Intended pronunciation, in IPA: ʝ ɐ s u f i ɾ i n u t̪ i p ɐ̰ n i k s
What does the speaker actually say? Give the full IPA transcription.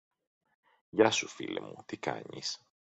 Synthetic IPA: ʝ ɐ s u f i l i m u t̪ i k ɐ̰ ɲ i s

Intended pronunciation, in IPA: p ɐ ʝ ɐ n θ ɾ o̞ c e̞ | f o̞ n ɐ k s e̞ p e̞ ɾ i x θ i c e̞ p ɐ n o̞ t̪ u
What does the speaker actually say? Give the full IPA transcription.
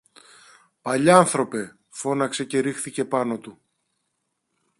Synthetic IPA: p ɐ ʎ ɐ n θ ɾ o̞ p e̞ | f o̞ n ɐ k s e̞ c e̞ ɾ i x θ i c e̞ p ɐ n o̞ t̪ u

